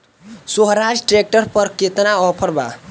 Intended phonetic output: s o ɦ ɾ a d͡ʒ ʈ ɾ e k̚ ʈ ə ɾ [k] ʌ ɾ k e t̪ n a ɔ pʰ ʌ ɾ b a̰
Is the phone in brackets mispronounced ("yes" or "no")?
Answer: yes